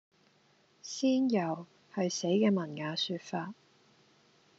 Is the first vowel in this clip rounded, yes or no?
no